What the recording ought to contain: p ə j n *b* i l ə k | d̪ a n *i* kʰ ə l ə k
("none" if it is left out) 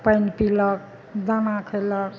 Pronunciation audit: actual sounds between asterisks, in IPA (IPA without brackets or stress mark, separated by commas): p, a